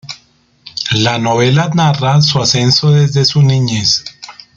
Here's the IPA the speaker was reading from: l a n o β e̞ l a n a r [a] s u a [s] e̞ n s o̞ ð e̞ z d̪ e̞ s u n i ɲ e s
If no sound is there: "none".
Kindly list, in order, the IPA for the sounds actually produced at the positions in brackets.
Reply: a, s

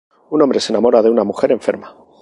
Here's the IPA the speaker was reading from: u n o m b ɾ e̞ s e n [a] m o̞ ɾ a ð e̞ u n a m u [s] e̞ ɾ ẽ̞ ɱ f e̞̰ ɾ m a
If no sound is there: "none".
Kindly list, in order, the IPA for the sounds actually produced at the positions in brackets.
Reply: a, x

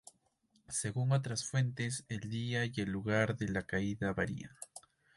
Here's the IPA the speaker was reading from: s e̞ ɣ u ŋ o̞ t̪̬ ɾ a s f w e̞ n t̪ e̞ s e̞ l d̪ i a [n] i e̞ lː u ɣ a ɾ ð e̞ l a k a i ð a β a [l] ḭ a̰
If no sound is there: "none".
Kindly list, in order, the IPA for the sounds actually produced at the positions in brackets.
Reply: none, ɾ

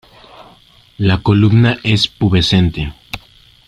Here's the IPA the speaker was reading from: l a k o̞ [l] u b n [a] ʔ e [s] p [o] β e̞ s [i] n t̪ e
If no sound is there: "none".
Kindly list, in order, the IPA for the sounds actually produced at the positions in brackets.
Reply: l, a, s, u, e

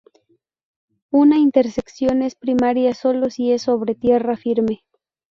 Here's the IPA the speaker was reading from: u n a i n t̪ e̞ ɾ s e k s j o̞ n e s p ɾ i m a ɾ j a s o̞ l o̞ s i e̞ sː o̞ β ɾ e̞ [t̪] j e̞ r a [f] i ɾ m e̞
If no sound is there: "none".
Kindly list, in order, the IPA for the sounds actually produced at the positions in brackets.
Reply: t̪, f

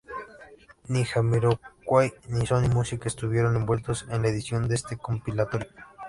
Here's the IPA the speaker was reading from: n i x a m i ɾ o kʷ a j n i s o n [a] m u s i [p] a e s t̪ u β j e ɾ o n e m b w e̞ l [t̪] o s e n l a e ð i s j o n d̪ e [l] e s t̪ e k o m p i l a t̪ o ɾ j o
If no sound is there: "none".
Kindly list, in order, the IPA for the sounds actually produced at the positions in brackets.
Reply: i, k, t̪, none

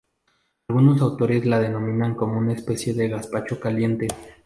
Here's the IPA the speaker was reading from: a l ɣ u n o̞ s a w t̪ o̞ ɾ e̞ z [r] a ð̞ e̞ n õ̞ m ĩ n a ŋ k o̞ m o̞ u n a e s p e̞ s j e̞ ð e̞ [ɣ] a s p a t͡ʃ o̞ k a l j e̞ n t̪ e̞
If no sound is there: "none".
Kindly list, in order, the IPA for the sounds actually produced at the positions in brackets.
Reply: l, ɣ

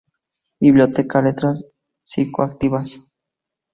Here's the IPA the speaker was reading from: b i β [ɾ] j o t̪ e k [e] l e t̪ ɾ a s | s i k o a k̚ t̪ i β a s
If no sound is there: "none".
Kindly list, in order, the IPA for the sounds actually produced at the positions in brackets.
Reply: l, a

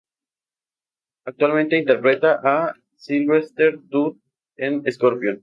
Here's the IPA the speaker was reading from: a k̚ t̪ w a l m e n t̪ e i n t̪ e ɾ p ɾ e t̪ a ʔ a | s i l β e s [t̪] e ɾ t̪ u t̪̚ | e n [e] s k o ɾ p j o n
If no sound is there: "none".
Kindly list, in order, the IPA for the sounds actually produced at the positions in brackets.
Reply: t̪, e

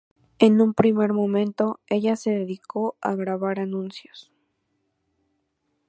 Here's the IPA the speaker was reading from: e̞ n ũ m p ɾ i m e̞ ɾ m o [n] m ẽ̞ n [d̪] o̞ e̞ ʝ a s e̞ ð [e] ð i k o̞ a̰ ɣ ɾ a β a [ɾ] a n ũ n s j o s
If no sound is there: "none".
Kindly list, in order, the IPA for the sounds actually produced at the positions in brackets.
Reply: none, t̪, e, ɾ

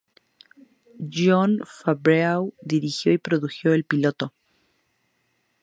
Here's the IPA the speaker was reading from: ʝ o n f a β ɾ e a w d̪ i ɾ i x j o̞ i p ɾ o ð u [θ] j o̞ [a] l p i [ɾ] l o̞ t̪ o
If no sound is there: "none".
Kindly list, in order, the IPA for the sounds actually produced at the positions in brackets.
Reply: x, e, none

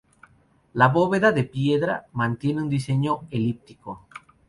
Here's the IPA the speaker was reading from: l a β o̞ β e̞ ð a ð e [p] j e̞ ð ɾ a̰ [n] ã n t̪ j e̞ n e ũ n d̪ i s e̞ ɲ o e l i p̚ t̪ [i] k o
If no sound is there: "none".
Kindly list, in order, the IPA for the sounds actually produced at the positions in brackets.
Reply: p, m, i

